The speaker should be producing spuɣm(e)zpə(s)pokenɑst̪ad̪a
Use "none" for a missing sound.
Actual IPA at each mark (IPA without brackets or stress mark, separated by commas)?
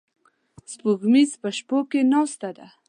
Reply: i, ʃ